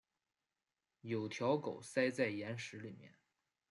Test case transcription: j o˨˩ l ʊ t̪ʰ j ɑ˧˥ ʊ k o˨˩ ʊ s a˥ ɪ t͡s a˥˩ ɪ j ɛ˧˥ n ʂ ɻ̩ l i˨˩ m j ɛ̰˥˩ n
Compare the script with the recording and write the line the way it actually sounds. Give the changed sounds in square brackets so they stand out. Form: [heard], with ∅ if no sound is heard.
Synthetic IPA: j o˨˩ [∅] ʊ t̪ʰ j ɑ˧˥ ʊ k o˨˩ ʊ s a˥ ɪ t͡s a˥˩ ɪ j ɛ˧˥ n ʂ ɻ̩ l i˨˩ m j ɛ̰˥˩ n